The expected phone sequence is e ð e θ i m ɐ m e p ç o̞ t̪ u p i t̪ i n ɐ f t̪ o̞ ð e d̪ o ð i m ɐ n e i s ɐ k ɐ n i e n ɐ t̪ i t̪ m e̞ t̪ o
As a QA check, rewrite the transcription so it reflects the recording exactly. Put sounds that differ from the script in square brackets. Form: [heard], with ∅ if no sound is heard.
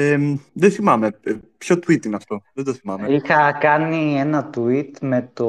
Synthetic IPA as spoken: e ð e θ i m ɐ m e p ç o̞ t̪ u [∅] i t̪ i n ɐ f t̪ o̞ ð e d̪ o [θ] i m ɐ [m] e i [x] ɐ k ɐ n i e n ɐ t̪ i t̪ m e̞ t̪ o